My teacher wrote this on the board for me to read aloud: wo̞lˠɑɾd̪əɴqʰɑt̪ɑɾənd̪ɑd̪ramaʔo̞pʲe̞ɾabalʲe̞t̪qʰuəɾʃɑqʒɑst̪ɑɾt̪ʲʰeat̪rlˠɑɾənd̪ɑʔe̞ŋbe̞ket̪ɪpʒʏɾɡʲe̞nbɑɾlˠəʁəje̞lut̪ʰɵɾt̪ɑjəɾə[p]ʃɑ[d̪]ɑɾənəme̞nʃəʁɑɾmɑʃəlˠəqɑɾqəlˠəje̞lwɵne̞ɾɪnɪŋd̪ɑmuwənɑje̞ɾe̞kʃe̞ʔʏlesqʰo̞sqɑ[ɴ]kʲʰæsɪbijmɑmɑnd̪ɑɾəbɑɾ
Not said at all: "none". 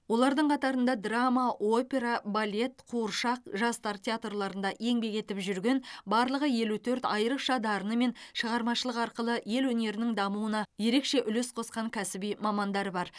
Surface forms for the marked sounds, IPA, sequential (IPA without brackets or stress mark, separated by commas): q, d̪, ŋ